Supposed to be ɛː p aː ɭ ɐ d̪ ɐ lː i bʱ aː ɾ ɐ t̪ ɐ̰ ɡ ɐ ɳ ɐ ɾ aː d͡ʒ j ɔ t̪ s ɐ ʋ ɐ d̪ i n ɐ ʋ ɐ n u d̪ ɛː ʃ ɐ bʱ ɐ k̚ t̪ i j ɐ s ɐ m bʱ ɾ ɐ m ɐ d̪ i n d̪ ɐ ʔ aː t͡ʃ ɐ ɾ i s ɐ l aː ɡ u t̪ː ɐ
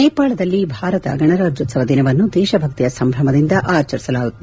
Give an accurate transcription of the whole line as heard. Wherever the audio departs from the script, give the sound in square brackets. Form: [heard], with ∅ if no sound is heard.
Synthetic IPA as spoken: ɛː p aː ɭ ɐ d̪ ɐ lː i bʱ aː ɾ ɐ t̪ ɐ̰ ɡ ɐ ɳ ɐ ɾ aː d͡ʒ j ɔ t̪ s ɐ ʋ ɐ d̪ i n ɐ ʋ ɐ [nː] u d̪ ɛː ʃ ɐ bʱ ɐ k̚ t̪ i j ɐ s ɐ m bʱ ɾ ɐ m ɐ d̪ i n d̪ ɐ ʔ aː t͡ʃ ɐ ɾ i s ɐ l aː ɡ u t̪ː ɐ